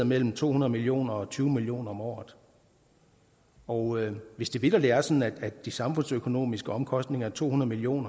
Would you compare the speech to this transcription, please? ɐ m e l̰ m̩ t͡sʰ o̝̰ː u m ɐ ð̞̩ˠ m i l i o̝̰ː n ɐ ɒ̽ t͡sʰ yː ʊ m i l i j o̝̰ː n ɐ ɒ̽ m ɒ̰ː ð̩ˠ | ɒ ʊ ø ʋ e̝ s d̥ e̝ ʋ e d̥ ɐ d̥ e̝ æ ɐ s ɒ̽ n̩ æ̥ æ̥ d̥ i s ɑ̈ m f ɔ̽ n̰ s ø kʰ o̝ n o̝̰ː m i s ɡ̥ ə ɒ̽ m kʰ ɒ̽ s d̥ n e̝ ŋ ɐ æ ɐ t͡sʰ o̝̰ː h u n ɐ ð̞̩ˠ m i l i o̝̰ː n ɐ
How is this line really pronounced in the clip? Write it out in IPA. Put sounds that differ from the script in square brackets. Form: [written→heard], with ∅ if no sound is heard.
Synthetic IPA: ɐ m e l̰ m̩ t͡sʰ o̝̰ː u [m→n] ɐ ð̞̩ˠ m i l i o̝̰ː n ɐ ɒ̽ t͡sʰ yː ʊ m i l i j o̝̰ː n ɐ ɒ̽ m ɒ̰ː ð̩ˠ | ɒ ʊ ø ʋ e̝ s d̥ e̝ ʋ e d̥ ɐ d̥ e̝ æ ɐ s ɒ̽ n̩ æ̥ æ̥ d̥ i s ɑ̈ m f ɔ̽ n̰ s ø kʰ o̝ n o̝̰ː m i s ɡ̥ ə ɒ̽ m kʰ ɒ̽ s d̥ n e̝ ŋ ɐ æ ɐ t͡sʰ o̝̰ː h u n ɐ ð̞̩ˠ m i l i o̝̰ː n ɐ